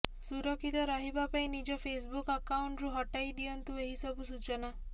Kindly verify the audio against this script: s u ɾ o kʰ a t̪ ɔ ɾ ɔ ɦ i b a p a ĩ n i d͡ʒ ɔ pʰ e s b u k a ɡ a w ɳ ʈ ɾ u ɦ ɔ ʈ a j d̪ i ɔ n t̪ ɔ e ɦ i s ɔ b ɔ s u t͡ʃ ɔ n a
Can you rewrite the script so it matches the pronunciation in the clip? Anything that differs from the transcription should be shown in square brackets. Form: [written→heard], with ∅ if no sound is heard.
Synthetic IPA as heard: s u ɾ [o→ɔ] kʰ [a→i] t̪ ɔ ɾ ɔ ɦ i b a p a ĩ n i d͡ʒ ɔ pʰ e s b u k a [ɡ→k] a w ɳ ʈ ɾ u ɦ ɔ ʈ a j d̪ i ɔ n t̪ [ɔ→u] e ɦ i s ɔ b [ɔ→u] s u t͡ʃ ɔ n a